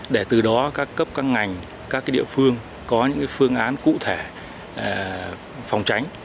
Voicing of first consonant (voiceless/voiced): voiced